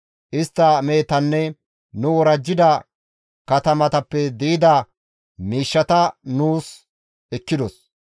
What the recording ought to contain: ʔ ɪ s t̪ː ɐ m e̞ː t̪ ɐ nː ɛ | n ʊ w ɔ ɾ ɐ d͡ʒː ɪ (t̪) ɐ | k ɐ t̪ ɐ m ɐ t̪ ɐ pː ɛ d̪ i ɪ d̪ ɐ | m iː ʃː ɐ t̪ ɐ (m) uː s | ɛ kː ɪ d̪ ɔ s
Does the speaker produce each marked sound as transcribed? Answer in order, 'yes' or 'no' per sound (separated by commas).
no, no